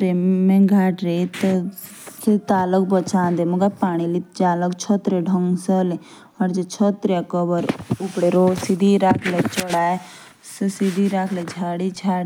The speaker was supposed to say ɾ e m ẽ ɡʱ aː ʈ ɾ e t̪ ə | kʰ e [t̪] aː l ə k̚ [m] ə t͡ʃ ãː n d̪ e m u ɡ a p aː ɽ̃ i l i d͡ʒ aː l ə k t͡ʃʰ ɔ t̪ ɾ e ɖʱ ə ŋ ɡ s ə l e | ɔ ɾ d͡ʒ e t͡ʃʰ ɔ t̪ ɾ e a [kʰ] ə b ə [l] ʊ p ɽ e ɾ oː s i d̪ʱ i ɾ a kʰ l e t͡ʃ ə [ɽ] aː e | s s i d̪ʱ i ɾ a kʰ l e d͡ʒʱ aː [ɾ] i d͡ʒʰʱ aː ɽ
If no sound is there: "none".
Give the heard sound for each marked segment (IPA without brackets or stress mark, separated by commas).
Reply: t̪, b, k, ɾ, ɽ, ɽ